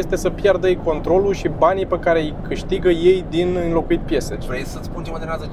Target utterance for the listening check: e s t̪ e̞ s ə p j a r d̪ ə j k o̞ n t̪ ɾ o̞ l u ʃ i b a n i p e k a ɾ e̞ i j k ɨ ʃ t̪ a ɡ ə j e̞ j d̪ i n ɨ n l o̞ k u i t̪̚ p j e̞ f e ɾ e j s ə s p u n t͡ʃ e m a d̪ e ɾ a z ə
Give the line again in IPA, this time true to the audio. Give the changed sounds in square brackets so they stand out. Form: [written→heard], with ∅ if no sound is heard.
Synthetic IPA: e s t̪ e̞ s ə p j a r d̪ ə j k o̞ n t̪ ɾ o̞ l u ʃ i b a n i p e k a ɾ e̞ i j k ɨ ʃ t̪ [a→i] ɡ ə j e̞ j d̪ i n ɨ n l o̞ k u i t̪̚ p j e̞ [f→s] e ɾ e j s ə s p u n t͡ʃ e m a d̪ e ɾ a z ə